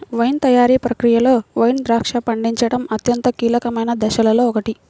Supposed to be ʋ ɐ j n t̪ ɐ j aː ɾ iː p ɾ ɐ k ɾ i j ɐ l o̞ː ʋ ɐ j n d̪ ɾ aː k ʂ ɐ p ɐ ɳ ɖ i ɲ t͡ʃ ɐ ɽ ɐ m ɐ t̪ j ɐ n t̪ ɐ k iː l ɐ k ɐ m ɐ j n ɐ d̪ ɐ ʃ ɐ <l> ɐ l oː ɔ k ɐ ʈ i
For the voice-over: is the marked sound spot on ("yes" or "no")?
yes